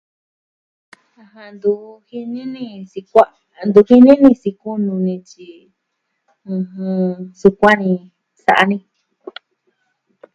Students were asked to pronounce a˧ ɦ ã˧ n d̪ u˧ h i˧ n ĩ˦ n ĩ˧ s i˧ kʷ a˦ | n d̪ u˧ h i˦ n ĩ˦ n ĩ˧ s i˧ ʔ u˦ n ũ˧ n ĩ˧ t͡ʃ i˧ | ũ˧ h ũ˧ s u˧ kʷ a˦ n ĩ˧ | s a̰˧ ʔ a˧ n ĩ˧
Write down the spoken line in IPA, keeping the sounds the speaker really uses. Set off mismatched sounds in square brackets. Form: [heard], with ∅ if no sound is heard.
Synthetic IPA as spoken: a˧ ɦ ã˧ n d̪ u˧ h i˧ n ĩ˦ n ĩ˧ s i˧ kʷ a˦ | n d̪ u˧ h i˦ n ĩ˦ n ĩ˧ s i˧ [k] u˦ n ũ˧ n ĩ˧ t͡ʃ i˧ | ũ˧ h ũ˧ s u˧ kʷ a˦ n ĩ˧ | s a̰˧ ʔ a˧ n ĩ˧